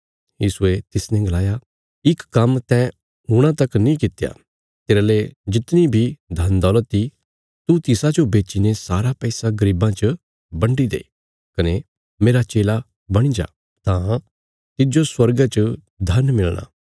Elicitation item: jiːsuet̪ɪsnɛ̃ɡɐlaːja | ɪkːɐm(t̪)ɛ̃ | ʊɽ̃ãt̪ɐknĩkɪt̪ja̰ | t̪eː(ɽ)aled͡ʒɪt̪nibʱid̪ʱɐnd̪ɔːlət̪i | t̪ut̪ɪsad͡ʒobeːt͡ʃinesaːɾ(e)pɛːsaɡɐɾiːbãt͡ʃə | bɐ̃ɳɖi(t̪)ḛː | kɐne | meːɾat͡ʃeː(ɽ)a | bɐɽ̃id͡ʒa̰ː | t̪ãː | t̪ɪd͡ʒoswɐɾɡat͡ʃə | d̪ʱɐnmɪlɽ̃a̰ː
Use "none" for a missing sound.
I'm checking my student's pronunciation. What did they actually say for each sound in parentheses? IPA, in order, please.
t̪, ɾ, a, d̪, l

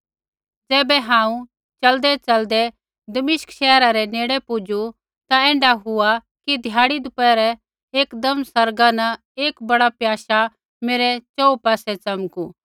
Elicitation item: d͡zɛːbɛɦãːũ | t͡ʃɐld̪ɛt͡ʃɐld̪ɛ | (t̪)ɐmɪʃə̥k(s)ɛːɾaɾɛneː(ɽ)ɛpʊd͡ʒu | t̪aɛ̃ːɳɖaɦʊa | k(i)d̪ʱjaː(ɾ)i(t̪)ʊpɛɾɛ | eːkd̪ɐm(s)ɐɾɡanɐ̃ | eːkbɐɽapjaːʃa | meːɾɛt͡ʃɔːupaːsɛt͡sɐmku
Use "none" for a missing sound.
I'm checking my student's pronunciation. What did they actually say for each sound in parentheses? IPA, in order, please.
d̪, ʃ, ɽ, i, ɽ, d̪, s

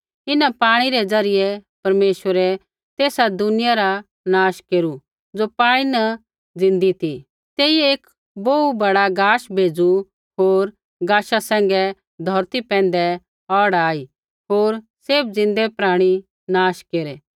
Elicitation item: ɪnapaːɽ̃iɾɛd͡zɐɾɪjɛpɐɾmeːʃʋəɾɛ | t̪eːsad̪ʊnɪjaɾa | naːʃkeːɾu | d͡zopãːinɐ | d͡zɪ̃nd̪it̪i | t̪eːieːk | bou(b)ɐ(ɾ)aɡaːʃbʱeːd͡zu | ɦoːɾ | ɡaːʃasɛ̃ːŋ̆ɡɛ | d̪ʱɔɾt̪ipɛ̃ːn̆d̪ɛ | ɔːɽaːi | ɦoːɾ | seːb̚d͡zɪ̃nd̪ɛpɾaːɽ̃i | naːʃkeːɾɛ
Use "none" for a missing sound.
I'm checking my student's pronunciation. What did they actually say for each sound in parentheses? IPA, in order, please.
b, ɽ

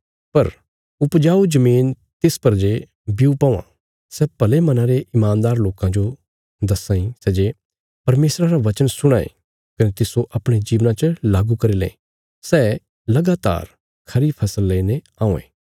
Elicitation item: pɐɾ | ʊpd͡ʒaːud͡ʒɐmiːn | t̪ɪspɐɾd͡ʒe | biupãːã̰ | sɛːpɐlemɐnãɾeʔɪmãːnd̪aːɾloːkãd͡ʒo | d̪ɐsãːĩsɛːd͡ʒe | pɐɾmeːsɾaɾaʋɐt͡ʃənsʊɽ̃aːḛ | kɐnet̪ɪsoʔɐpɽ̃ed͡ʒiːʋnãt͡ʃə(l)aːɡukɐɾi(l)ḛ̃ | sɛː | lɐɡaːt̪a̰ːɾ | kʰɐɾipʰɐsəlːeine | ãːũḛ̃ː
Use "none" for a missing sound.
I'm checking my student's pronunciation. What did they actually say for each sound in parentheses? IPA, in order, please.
l, l

